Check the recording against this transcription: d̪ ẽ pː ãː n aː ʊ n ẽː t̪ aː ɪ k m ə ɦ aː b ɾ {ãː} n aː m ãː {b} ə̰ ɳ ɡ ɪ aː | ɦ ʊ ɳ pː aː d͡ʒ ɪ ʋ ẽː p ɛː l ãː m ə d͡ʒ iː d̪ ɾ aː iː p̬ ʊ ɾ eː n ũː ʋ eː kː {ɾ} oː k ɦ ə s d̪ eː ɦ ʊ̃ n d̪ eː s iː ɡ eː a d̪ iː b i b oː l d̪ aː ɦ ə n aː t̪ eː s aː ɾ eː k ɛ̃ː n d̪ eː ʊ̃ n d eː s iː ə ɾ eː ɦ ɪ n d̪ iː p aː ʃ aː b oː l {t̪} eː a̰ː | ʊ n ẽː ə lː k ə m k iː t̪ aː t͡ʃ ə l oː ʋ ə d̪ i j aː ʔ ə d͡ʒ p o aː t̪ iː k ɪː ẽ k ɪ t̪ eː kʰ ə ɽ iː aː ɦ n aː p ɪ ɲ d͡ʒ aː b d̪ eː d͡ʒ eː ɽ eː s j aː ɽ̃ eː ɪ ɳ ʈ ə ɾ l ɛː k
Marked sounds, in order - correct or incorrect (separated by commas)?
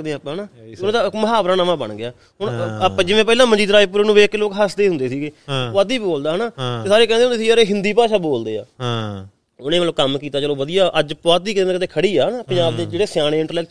incorrect, correct, incorrect, incorrect